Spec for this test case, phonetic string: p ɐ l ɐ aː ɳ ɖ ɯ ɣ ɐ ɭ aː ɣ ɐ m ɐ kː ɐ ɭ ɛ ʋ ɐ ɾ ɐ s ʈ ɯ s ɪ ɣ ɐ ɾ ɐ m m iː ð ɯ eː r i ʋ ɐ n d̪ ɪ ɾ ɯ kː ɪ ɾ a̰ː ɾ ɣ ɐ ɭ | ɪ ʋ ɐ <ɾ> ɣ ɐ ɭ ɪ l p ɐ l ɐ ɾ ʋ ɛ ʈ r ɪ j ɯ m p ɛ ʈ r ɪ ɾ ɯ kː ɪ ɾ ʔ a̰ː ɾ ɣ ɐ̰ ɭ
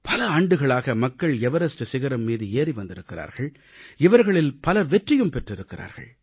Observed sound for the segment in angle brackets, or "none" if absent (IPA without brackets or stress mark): ɾ